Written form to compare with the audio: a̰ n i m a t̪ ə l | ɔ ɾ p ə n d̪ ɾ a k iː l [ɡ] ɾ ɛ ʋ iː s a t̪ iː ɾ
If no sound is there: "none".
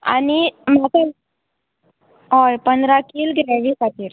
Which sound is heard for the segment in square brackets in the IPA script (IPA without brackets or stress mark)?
ɡ